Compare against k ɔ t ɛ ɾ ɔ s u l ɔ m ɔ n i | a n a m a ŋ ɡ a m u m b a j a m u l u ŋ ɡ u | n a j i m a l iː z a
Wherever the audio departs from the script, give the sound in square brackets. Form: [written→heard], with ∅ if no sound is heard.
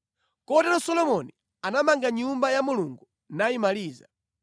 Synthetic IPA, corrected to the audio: k ɔ t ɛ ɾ ɔ s [u→ɔ] l ɔ m ɔ n i | a n a m a ŋ ɡ a [m→ɲ] u m b a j a m u l u ŋ ɡ u | n a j i m a l iː z a